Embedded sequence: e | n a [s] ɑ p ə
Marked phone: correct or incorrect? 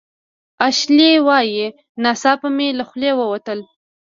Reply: correct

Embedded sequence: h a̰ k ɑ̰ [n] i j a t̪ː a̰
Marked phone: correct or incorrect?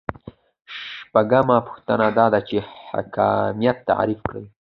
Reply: incorrect: m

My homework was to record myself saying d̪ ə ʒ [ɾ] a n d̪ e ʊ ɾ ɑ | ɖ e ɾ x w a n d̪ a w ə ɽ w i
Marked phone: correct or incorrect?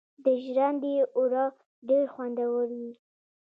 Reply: correct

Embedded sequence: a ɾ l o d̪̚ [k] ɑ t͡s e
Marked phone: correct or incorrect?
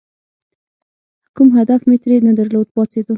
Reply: incorrect: p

